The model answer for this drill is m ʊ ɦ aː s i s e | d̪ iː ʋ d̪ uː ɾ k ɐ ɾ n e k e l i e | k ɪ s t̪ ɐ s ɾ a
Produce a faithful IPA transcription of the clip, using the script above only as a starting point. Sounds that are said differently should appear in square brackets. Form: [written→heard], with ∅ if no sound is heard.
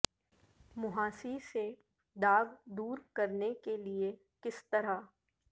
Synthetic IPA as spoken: m ʊ ɦ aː s i s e | d̪ [iː→aː] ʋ d̪ uː ɾ k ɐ ɾ n e k e l i e | k ɪ s t̪ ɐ [s→∅] ɾ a